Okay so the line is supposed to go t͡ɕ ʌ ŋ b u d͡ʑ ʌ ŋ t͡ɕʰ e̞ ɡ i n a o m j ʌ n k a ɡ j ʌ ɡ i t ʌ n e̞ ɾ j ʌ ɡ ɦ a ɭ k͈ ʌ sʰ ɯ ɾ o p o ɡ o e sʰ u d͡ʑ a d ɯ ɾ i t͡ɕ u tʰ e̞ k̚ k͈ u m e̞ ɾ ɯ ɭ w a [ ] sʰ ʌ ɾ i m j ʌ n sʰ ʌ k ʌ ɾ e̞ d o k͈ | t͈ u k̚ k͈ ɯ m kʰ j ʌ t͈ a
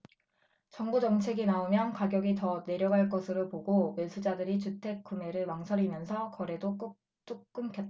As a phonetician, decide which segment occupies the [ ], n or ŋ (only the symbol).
ŋ